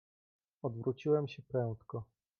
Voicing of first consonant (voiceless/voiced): voiced